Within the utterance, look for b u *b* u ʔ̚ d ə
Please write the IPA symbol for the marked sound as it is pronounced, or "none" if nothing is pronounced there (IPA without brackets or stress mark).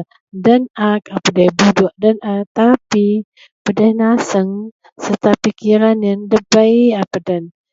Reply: d